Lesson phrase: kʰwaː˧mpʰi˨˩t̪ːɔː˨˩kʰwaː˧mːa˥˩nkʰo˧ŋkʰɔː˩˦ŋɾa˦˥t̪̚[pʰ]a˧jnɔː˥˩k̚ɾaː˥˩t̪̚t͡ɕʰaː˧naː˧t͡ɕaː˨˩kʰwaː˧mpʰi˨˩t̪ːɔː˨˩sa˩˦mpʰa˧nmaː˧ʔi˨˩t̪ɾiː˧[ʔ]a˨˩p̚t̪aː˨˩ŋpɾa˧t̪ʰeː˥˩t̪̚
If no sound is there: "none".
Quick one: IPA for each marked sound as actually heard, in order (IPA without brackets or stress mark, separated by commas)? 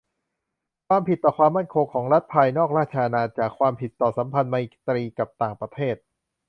pʰ, k